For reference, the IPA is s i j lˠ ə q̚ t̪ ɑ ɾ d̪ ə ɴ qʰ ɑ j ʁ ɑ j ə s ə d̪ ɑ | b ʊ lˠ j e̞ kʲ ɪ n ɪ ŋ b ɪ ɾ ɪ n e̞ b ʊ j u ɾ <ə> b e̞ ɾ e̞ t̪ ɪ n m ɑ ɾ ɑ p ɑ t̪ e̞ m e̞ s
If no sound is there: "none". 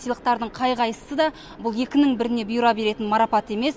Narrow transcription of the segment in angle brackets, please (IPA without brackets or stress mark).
ɑ